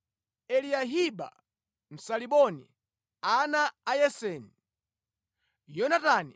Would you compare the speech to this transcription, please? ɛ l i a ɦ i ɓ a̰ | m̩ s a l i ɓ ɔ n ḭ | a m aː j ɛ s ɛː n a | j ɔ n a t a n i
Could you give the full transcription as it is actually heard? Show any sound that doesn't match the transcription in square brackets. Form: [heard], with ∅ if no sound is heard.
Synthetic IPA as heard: ɛ l i a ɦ i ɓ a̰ | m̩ s a l i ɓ ɔ n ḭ | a [n] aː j ɛ s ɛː n [i] | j ɔ n a t a n i